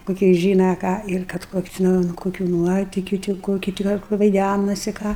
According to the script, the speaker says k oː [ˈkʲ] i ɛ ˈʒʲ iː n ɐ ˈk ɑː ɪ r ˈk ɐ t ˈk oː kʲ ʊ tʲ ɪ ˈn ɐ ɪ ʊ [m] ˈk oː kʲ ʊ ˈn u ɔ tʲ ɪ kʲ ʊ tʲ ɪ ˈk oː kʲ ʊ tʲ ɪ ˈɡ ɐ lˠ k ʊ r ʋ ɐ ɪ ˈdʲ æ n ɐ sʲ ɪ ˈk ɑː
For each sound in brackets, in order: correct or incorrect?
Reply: correct, incorrect: n

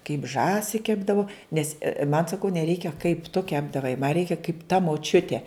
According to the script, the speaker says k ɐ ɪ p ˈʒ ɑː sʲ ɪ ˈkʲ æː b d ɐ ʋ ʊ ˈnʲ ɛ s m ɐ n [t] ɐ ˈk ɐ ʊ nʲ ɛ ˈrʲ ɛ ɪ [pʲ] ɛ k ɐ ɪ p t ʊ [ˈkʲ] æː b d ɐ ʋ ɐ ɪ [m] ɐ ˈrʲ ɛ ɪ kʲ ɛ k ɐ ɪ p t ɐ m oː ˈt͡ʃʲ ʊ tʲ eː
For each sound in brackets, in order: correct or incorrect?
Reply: incorrect: s, incorrect: kʲ, correct, correct

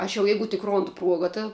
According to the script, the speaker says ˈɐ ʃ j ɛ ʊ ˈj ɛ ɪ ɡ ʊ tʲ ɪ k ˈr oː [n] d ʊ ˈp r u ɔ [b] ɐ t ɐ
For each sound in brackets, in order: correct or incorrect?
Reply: correct, incorrect: ɡ

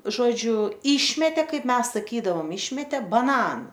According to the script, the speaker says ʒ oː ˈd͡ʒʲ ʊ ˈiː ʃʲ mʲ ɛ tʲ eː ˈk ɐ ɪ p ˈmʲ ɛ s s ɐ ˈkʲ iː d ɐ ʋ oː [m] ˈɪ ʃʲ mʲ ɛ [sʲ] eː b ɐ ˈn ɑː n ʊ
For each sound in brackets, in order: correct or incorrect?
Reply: correct, incorrect: tʲ

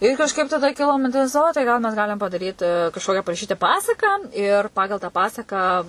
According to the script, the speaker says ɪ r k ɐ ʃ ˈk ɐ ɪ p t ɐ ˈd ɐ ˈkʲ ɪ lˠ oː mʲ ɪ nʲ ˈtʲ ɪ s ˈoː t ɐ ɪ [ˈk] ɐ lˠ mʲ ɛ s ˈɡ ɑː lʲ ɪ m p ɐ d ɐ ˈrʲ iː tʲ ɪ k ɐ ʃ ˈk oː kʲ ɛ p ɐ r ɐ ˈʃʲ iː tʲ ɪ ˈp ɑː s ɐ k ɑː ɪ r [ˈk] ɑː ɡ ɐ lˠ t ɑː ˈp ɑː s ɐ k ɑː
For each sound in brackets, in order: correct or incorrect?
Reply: incorrect: ɡ, incorrect: p

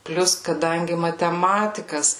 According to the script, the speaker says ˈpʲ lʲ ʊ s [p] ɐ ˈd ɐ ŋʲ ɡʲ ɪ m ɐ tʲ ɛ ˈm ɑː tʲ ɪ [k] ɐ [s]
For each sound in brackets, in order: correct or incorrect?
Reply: incorrect: k, correct, correct

